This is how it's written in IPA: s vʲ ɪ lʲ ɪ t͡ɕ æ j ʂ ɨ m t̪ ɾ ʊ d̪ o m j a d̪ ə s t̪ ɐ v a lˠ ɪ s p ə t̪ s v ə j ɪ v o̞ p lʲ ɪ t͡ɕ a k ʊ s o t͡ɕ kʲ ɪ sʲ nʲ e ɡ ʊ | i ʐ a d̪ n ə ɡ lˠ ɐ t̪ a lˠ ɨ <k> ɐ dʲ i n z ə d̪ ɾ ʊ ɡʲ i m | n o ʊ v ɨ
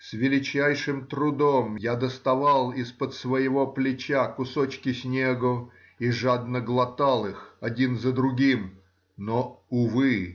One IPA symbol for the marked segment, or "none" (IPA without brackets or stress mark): x